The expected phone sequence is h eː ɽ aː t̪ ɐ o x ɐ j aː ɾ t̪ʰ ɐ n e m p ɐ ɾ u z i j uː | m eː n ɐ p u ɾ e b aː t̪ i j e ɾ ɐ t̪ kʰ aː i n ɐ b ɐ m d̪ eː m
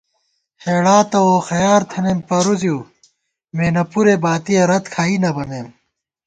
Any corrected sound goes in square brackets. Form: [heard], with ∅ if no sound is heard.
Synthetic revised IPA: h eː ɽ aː t̪ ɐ o x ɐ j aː ɾ t̪ʰ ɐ n e m p ɐ ɾ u z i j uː | m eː n ɐ p u ɾ e b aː t̪ i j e ɾ ɐ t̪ kʰ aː i n ɐ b ɐ [n] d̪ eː m

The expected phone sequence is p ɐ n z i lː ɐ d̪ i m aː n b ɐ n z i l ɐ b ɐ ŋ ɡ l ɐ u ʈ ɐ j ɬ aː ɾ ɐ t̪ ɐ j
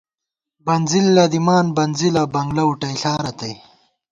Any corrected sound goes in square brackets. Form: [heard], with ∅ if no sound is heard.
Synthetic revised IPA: [b] ɐ n z i lː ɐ d̪ i m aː n b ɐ n z i l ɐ b ɐ ŋ ɡ l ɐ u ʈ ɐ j ɬ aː ɾ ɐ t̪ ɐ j

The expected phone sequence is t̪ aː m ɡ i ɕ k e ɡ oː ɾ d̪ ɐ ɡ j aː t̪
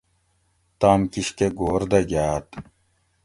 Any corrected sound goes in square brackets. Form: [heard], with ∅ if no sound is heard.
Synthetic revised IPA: t̪ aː m [k] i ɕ k e ɡ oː ɾ d̪ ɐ ɡ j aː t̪

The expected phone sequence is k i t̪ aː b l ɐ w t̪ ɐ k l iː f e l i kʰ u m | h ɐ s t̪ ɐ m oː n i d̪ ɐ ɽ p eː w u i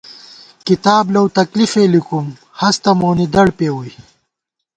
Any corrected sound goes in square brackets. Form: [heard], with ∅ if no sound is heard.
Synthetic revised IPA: k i t̪ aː b l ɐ w t̪ ɐ k l [i] f e l i [k] u m | h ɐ s t̪ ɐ m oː n i d̪ ɐ ɽ p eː w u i

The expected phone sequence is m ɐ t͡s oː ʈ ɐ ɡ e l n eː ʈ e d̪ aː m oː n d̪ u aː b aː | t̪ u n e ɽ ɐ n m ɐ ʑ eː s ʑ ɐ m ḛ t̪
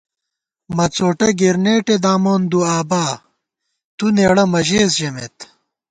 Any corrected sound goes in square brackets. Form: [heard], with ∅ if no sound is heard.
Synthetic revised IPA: m ɐ t͡s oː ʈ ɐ ɡ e [ɾ] n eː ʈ e d̪ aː m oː n d̪ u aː b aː | t̪ u n e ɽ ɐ [∅] m ɐ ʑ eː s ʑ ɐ m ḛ t̪

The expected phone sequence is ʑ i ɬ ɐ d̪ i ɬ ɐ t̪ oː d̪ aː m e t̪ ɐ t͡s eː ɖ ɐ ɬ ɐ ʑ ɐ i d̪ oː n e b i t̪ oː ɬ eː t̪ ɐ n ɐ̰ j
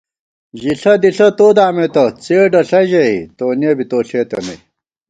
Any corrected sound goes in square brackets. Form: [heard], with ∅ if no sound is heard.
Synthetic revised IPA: ʑ i ɬ ɐ d̪ i ɬ ɐ t̪ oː d̪ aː m e t̪ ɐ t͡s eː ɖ ɐ ɬ ɐ ʑ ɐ i [t̪] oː n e b i t̪ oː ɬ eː t̪ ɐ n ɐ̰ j

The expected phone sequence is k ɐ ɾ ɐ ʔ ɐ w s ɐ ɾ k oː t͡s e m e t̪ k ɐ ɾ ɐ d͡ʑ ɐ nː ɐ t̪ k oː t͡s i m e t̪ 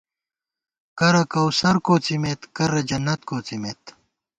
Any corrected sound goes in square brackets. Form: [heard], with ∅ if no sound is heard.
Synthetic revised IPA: k ɐ ɾ ɐ [k] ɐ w s ɐ ɾ k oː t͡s [i] m e t̪ k ɐ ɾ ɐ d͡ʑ ɐ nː ɐ t̪ k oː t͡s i m e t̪

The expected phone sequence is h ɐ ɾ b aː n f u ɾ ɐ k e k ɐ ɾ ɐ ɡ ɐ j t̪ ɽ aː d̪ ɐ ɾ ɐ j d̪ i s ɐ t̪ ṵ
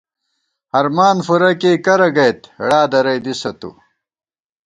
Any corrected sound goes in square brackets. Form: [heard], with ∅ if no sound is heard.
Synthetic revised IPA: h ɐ ɾ [m] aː n f u ɾ ɐ k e k ɐ ɾ ɐ ɡ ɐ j t̪ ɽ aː d̪ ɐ ɾ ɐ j d̪ i s ɐ t̪ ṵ

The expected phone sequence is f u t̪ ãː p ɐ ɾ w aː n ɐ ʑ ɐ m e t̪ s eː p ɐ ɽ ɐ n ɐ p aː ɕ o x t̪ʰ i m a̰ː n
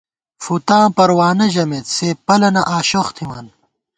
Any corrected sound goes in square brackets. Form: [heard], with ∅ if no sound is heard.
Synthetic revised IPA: f u t̪ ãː p ɐ ɾ w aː n ɐ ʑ ɐ m e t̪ s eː p ɐ [l] ɐ n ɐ [ʔ] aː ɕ o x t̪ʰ i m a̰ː n

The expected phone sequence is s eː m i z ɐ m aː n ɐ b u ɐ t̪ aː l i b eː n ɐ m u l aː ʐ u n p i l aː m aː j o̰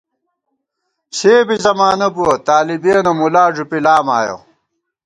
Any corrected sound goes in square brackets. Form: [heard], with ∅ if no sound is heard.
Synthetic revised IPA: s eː [b] i z ɐ m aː n ɐ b u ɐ t̪ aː l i b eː n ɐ m u l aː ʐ u [∅] p i l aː m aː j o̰

